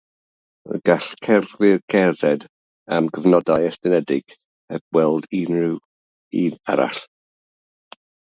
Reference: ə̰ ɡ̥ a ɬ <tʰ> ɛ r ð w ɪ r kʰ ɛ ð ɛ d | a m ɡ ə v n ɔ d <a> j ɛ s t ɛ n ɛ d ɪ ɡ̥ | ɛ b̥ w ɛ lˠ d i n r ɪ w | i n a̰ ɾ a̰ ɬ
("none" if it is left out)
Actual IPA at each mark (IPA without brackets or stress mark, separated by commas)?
kʰ, a